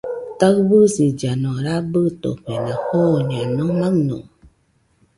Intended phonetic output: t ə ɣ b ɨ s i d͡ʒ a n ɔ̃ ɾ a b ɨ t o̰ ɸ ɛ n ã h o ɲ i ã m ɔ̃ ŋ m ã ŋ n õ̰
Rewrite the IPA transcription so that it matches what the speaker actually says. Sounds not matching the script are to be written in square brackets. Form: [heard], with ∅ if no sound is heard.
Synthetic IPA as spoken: t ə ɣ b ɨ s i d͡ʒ a n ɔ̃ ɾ a b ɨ t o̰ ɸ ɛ n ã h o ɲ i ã [n] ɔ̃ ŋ m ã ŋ n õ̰